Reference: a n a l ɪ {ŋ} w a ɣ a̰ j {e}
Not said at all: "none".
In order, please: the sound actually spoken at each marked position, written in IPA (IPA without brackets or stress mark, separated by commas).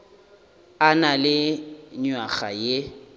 ɲ, e